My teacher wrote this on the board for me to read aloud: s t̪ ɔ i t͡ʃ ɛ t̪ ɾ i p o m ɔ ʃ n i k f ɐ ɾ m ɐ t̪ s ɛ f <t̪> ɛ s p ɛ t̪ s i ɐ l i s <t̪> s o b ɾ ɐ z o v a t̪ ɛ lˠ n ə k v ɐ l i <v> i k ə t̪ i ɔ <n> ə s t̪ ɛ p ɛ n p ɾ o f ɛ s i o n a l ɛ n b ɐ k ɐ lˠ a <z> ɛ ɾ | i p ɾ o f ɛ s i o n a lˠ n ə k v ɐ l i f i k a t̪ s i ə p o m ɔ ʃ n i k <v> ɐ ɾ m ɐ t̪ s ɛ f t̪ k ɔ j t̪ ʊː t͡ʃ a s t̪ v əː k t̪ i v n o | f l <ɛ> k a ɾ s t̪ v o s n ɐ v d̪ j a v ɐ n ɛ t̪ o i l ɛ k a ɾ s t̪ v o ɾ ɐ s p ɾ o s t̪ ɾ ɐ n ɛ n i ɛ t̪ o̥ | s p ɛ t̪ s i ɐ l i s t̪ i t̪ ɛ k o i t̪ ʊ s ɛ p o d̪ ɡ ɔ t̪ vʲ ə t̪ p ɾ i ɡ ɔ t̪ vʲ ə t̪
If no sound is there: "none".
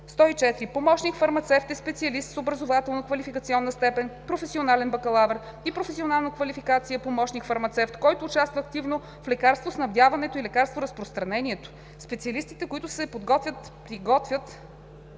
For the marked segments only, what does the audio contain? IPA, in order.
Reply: t̪, t̪, f, nː, v, f, ɛ

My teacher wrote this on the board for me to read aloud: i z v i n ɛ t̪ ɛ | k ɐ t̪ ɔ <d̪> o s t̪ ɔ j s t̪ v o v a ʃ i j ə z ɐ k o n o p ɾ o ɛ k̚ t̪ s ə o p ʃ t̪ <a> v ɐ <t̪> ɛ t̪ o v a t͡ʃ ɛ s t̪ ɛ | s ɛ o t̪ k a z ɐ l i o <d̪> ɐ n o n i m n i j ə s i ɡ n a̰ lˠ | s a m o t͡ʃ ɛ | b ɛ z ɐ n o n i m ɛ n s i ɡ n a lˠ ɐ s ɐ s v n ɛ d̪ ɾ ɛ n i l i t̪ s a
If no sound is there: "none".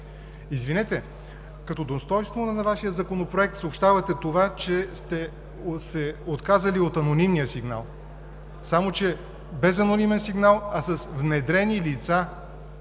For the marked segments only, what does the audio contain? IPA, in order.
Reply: d̪, a, t̪, t̪

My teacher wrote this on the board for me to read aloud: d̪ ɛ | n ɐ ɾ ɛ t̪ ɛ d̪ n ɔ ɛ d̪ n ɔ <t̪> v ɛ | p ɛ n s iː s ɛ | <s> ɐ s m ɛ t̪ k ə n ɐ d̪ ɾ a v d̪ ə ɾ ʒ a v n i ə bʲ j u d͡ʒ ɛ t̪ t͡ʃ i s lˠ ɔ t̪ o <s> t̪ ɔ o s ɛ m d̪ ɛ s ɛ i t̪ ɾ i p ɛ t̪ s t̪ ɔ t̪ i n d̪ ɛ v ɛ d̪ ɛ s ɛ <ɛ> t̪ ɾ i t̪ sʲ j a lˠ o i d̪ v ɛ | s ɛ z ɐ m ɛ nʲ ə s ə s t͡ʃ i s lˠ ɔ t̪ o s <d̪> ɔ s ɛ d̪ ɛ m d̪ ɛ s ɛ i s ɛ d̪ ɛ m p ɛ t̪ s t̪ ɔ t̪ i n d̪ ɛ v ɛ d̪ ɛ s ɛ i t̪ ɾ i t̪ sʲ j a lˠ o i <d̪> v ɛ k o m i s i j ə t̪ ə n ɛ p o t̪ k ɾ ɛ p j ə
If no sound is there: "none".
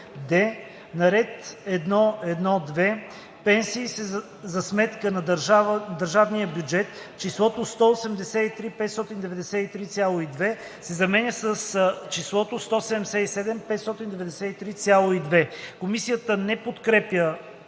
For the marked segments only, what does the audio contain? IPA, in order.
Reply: d̪, z, s, i, t̪, d̪

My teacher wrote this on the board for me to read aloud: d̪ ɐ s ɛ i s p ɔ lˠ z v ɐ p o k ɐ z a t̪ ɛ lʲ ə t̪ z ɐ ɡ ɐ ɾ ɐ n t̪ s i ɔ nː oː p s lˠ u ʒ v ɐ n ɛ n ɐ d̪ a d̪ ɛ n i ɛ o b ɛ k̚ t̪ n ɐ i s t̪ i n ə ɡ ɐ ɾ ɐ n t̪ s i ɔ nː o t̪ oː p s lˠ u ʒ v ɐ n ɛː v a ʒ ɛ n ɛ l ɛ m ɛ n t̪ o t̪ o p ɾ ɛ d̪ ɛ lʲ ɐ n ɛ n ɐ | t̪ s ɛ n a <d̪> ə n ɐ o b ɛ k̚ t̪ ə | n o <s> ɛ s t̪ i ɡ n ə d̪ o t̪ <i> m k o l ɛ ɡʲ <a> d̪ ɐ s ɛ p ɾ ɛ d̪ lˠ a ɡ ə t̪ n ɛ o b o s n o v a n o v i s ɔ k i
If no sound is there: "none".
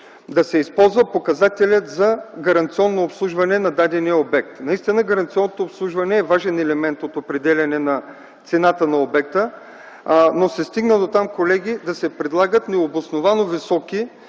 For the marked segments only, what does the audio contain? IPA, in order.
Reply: t̪, s, a, i

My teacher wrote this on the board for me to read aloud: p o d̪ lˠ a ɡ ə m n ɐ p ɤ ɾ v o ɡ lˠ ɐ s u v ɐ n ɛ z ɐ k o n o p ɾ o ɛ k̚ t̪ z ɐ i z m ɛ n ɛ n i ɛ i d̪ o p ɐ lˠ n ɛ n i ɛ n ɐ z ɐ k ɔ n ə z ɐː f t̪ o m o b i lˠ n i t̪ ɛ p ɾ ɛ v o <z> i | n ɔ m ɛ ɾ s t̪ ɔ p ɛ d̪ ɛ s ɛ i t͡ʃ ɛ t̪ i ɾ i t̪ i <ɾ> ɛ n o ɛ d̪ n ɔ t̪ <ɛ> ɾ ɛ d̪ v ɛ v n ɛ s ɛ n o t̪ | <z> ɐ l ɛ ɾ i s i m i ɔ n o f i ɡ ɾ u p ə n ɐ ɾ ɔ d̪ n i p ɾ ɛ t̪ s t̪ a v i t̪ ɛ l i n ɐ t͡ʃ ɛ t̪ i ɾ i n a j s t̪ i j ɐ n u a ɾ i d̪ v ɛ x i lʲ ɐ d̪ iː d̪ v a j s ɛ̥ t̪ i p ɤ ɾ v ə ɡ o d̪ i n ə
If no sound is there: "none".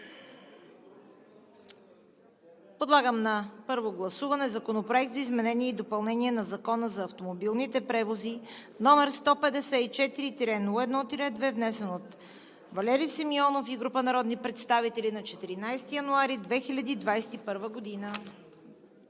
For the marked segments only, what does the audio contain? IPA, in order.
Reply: z, ɾ, i, v

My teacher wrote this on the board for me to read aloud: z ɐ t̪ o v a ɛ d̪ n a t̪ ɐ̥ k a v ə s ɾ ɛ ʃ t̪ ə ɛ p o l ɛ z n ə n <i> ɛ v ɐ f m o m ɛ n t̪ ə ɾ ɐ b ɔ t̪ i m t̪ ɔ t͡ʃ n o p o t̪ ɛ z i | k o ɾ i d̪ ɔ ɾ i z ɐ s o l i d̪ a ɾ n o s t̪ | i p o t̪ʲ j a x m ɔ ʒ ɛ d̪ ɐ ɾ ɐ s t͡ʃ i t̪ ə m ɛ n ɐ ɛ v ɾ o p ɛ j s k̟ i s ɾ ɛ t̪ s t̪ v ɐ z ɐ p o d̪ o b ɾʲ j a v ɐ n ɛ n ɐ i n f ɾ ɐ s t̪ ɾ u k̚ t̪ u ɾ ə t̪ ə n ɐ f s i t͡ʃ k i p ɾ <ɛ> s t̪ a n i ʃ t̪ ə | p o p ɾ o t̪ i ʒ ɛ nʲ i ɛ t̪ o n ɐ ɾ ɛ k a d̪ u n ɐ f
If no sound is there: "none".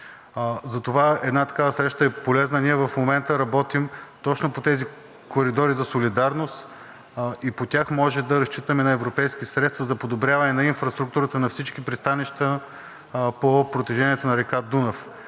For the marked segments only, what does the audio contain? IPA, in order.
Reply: i, i

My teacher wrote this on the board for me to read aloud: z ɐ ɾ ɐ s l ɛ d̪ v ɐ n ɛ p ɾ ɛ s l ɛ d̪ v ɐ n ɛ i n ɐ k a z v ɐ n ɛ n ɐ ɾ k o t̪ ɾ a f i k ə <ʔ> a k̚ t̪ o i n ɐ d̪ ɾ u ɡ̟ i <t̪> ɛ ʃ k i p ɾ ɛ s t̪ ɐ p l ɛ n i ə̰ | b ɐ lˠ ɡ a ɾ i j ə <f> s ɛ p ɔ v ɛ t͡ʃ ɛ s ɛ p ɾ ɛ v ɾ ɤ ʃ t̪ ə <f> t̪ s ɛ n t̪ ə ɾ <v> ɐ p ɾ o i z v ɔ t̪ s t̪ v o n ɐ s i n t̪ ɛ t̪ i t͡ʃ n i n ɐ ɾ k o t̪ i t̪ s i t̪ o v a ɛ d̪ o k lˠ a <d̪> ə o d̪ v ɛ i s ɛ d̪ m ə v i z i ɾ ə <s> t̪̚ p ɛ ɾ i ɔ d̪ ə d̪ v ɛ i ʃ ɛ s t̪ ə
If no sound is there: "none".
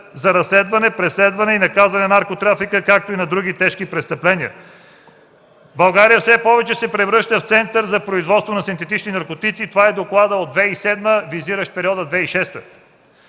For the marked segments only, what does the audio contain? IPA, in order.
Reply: k, t̪, f, f, z, d̪, ʃ

